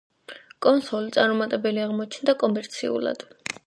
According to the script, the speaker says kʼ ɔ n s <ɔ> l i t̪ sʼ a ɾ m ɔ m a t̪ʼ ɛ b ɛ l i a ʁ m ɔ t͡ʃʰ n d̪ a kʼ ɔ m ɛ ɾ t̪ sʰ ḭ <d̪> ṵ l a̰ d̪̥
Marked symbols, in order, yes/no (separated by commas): yes, no